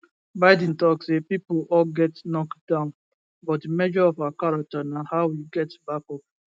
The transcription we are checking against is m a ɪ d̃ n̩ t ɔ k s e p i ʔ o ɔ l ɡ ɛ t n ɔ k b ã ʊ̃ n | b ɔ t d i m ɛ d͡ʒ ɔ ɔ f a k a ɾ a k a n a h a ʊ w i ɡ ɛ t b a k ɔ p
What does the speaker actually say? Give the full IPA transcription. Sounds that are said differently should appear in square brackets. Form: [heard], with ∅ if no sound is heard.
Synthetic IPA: [b] a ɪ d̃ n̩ t ɔ k s e p i [p] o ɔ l ɡ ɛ t n ɔ k [d] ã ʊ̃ n | b ɔ t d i m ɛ d͡ʒ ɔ ɔ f a k a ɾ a [t] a n a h a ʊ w i ɡ ɛ t b a k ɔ p